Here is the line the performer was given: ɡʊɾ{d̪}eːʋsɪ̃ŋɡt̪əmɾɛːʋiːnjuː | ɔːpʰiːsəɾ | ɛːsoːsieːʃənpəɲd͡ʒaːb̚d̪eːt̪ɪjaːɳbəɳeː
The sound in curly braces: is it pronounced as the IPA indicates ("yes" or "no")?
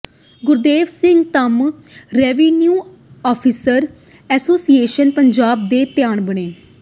yes